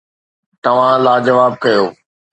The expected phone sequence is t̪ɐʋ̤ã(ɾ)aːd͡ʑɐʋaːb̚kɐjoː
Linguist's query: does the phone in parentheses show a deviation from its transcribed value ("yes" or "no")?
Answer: yes